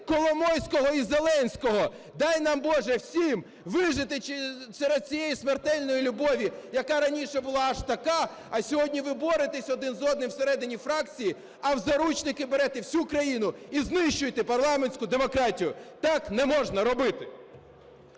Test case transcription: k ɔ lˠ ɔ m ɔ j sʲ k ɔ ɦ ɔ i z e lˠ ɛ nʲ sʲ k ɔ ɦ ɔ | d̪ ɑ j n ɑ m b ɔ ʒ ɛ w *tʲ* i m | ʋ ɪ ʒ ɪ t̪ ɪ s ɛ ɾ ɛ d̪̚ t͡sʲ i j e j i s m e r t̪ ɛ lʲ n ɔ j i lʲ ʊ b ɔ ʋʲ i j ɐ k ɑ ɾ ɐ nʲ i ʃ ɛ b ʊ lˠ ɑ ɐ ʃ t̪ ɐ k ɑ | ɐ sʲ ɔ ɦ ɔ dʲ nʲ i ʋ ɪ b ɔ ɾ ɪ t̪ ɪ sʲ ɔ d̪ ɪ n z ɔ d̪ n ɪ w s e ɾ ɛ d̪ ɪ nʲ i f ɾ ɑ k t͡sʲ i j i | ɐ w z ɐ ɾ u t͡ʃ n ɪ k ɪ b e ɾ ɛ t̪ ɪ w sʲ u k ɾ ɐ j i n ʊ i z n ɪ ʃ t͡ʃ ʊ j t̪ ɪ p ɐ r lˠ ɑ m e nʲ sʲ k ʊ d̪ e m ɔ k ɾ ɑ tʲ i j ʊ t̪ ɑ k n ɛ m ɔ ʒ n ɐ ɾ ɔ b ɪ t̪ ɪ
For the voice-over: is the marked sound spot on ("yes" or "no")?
no